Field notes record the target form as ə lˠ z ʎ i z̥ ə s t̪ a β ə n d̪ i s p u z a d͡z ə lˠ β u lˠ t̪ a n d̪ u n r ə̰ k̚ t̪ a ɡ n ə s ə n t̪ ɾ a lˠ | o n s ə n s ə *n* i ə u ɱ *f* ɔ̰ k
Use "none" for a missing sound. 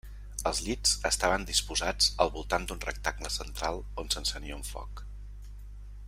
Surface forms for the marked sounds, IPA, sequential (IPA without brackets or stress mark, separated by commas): n, f